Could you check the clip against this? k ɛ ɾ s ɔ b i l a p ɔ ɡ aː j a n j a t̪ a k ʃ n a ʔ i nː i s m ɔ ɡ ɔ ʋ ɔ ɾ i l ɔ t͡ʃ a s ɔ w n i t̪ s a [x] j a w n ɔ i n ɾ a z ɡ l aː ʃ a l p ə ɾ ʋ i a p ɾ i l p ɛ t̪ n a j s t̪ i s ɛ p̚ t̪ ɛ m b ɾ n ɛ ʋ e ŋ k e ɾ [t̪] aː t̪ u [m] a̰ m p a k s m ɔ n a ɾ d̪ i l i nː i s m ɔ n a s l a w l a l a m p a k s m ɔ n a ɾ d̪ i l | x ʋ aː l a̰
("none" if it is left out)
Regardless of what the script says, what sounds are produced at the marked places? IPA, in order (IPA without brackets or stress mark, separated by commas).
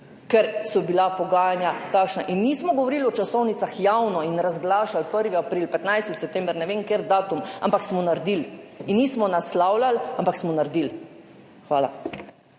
x, d̪, m